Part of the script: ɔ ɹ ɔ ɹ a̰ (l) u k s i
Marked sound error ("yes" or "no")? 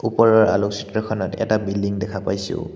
no